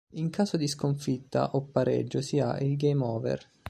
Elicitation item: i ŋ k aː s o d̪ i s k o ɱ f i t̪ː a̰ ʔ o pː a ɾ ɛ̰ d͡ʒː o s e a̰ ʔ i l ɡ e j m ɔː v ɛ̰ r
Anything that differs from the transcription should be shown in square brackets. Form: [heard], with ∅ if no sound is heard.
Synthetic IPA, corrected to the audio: i ŋ k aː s o d̪ i s k o ɱ f i t̪ː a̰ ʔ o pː a ɾ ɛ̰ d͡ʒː o s [i] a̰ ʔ i l ɡ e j m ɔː v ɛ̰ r